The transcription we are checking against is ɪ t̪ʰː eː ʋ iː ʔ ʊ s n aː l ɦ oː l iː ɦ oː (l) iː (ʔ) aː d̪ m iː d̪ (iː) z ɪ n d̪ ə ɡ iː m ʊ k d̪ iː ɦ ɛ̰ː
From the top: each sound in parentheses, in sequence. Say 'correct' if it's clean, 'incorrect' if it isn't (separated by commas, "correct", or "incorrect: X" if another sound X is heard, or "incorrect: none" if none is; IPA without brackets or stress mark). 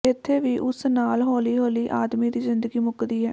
correct, correct, correct